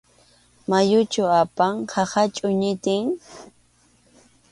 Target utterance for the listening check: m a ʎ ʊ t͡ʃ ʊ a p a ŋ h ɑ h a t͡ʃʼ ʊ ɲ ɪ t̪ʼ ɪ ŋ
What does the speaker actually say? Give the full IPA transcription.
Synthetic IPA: m a j ʊ t͡ʃ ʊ a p a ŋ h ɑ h a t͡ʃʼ ʊ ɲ ɪ t̪ ɪ ŋ